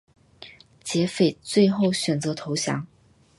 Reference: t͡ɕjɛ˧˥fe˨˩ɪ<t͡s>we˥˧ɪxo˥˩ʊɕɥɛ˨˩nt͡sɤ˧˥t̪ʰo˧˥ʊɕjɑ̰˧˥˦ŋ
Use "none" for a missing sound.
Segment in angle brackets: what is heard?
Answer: t͡s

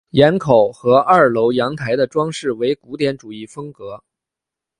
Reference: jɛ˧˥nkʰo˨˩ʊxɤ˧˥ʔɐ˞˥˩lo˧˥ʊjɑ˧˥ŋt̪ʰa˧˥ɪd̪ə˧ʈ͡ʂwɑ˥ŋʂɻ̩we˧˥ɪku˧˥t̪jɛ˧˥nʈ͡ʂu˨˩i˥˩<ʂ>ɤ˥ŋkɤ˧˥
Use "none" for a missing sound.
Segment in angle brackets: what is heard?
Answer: f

